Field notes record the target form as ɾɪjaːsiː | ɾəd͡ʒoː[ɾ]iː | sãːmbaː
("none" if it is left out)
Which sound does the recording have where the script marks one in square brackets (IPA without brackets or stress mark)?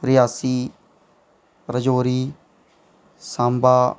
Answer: ɾ